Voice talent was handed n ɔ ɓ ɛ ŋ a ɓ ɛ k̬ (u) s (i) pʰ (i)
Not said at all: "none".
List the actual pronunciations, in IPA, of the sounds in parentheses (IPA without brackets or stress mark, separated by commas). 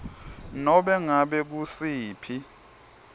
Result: u, iː, i